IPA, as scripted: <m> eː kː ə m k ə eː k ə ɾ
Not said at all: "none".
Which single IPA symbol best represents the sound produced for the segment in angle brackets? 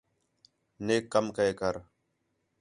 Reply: n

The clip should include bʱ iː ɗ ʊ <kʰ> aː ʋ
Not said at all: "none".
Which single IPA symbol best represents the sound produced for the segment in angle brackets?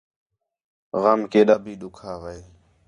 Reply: kʰ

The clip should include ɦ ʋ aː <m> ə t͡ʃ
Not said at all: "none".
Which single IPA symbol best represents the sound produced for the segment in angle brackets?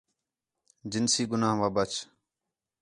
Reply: b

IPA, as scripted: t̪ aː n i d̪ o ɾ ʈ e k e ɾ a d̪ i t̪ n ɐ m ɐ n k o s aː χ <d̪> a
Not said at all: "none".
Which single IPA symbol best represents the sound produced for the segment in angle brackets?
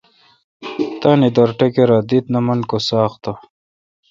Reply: t̪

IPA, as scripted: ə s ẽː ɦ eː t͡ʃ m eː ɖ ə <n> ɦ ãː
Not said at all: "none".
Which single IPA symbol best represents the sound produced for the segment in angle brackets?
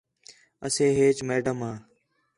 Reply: m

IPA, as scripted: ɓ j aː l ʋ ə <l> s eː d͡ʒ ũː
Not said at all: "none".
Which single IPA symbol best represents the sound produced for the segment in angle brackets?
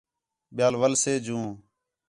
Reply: l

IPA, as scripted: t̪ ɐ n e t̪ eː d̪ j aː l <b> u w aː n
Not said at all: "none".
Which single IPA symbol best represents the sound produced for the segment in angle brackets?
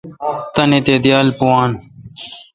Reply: p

